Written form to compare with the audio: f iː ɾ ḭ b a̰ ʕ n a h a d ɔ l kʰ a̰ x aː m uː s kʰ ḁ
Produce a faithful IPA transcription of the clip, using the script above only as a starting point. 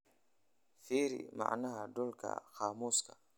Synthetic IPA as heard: f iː ɾ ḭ m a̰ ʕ n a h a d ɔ l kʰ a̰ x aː m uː s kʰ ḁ